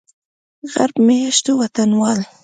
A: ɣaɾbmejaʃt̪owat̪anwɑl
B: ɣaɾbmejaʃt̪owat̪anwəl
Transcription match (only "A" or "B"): A